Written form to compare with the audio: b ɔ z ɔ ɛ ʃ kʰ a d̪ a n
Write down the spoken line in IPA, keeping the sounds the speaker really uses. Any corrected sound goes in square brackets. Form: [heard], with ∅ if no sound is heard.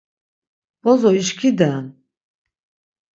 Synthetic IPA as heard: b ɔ z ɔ [i] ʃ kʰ [i] d̪ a n